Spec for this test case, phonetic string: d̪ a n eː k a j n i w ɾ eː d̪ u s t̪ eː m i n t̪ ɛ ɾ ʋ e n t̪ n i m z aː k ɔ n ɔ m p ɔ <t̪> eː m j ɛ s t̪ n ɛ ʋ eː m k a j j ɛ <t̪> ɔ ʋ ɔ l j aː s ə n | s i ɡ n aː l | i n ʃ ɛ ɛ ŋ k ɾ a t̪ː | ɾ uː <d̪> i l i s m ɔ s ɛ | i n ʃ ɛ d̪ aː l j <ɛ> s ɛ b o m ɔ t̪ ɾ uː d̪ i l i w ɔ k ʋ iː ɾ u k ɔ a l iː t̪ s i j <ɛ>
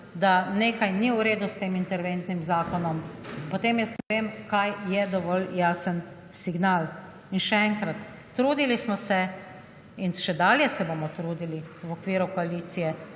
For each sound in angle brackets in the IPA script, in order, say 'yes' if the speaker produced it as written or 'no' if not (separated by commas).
yes, no, yes, yes, yes